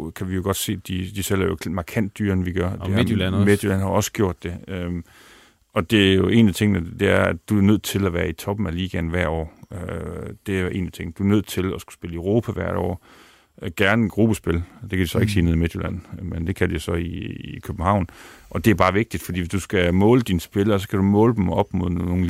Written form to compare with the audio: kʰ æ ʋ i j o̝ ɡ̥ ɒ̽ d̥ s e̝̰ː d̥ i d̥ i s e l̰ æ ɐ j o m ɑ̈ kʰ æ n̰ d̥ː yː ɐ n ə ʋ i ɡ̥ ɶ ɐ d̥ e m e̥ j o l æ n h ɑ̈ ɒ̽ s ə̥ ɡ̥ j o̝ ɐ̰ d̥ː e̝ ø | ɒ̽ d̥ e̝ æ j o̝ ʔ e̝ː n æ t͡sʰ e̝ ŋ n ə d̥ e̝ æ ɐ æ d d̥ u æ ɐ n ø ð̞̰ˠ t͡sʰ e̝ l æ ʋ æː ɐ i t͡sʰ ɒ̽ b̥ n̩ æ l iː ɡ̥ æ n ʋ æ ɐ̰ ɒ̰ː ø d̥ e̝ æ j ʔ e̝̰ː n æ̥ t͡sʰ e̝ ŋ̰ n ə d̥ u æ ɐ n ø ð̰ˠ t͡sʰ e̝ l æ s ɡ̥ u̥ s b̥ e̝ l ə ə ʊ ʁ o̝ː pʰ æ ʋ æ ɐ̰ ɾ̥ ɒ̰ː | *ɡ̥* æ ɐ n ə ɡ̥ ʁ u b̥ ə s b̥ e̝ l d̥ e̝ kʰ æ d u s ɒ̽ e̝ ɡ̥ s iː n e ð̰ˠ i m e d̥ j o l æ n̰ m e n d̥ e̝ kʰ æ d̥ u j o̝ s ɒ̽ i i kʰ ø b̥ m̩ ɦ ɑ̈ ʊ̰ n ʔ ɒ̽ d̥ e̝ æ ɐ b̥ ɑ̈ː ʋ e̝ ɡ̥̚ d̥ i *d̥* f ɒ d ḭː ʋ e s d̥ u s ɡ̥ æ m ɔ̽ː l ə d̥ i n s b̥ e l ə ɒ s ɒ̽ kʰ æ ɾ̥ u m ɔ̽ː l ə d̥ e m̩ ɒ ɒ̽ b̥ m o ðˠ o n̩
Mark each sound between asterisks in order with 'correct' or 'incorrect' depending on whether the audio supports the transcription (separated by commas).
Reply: correct, correct